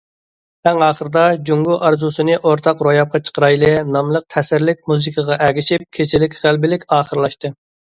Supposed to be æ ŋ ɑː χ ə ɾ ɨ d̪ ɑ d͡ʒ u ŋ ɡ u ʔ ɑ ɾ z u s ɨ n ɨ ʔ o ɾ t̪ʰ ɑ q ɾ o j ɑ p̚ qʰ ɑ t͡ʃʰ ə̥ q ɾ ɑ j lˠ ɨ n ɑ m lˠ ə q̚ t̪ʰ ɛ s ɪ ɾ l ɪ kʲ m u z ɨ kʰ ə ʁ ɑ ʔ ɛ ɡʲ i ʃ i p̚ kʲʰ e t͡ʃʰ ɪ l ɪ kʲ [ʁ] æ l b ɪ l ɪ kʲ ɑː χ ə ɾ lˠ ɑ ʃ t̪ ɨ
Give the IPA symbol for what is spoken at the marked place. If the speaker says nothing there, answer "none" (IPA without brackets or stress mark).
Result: ʁ